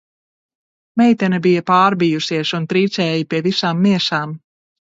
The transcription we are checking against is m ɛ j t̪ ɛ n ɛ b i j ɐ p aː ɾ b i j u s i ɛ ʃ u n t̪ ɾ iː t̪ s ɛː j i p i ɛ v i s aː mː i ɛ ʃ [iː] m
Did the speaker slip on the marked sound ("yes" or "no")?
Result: yes